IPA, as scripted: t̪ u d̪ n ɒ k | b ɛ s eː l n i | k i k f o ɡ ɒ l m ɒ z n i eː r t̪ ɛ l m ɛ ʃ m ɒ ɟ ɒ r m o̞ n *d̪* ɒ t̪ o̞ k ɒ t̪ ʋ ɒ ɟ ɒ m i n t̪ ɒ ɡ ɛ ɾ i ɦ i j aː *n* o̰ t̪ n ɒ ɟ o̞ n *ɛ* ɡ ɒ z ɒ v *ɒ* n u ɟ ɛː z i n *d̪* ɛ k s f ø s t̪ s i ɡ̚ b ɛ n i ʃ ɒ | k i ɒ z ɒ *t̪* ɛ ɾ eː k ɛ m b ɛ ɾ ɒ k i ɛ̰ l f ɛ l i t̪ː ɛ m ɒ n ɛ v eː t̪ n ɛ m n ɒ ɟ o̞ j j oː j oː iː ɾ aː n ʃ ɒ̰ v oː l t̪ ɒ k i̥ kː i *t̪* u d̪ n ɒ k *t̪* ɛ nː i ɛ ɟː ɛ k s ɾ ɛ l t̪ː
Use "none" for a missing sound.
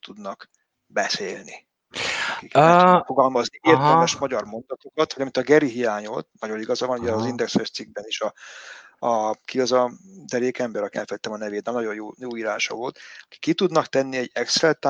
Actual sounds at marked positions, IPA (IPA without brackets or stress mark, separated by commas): d̪, ɲ, i, ɒ, d̪, d̪, t̪, t̪